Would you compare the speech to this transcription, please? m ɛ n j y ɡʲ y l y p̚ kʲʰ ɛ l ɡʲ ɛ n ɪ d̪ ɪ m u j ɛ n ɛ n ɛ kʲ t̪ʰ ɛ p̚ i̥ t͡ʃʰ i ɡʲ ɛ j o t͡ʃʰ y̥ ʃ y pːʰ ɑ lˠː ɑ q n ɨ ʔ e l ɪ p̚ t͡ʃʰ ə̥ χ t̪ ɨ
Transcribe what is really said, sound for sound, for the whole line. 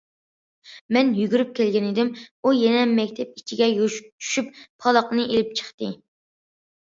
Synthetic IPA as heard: m ɛ n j y ɡʲ y ɾ y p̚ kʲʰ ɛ l ɡʲ ɛ n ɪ d̪ ɪ m u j ɛ n ɛ m ɛ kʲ t̪ʰ ɛ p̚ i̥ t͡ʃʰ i ɡʲ ɛ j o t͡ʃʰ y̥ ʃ y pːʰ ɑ lˠ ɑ q n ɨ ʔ e l ɪ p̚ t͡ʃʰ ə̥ χ t̪ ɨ